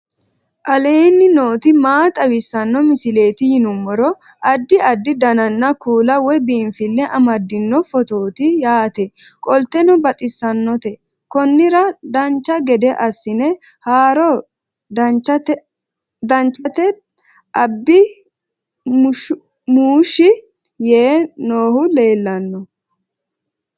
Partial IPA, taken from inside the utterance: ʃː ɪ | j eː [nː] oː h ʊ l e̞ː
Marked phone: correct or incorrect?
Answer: incorrect: n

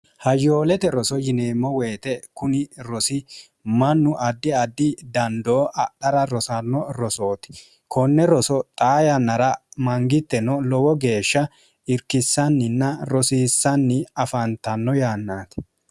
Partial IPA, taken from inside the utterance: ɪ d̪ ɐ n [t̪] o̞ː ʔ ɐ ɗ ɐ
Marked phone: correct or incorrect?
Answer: incorrect: d̪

